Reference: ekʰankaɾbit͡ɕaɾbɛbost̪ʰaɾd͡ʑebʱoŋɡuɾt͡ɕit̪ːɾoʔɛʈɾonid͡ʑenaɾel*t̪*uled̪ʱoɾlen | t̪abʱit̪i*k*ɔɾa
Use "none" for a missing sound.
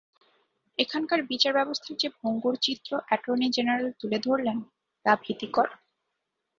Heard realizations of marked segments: t̪, k

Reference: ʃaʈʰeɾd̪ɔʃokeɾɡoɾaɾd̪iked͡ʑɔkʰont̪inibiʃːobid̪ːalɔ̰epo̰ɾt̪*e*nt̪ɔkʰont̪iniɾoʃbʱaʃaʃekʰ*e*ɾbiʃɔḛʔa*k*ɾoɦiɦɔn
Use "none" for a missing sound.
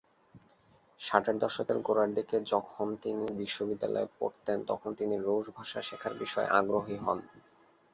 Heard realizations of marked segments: e, a, ɡ

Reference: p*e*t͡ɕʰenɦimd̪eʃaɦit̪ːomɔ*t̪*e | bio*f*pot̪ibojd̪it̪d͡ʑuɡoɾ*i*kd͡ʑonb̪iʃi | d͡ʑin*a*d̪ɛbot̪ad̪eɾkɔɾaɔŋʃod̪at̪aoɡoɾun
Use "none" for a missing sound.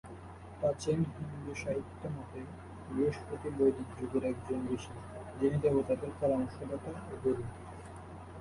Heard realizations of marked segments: a, t̪, ʃ, ɛ, i

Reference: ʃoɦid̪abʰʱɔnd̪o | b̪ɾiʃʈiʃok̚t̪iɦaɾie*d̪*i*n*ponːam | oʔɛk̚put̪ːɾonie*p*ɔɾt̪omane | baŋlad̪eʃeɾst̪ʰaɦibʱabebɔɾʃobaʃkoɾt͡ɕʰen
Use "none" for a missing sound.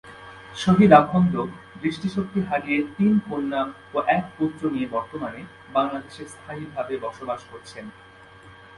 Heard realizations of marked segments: t̪, n, b

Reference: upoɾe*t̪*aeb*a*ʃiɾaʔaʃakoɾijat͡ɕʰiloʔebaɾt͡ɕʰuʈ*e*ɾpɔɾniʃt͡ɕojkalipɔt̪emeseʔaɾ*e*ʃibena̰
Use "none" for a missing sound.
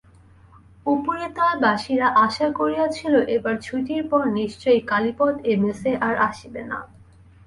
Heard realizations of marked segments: t̪, a, i, a

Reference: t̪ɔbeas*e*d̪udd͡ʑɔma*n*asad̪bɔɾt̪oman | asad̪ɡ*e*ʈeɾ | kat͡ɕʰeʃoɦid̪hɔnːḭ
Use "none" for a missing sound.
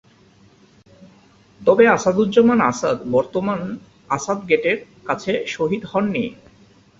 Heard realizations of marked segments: a, n, e

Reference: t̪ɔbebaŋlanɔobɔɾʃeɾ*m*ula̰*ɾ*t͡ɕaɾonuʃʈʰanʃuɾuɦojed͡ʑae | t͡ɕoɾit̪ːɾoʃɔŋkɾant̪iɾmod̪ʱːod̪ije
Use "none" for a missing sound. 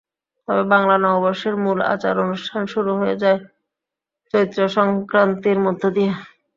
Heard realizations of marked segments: m, none

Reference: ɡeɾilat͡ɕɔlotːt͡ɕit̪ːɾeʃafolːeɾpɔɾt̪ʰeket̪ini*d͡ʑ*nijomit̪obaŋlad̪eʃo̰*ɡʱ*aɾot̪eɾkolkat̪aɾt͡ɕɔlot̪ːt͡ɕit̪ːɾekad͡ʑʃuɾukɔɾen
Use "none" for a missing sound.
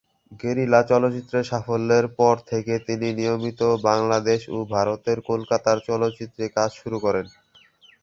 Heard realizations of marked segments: none, bʱ

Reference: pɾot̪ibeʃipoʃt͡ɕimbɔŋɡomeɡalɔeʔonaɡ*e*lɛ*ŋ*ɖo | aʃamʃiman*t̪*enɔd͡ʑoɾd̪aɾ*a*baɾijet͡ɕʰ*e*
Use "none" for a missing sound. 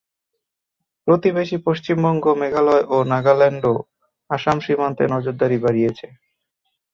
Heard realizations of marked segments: a, ɳ, t̪, i, e

